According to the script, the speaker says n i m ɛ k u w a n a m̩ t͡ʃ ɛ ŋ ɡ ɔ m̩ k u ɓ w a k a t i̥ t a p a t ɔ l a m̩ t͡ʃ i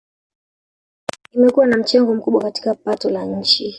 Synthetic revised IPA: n i m ɛ k u w a n a m̩ t͡ʃ ɛ ŋ ɡ ɔ m̩ k u ɓ w a k a t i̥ k a p a t ɔ l a ɲ̩ t͡ʃ i